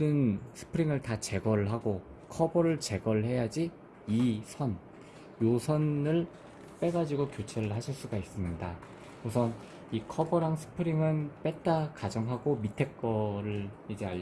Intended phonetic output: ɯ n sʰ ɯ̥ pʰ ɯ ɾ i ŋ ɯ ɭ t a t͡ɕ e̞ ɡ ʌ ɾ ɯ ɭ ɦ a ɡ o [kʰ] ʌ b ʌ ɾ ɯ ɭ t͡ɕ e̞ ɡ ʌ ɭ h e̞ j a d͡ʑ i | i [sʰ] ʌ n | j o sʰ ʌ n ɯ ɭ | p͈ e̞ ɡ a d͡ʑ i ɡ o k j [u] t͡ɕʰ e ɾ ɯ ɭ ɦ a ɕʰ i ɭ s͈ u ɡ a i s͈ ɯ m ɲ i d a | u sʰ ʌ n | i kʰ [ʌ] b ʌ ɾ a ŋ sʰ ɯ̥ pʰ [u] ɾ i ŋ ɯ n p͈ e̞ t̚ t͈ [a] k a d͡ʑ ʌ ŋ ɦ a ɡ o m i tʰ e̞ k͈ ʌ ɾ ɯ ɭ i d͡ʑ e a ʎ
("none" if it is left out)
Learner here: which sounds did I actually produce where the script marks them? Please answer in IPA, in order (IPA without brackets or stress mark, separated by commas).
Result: kʰ, sʰ, o, ʌ, ɯ, a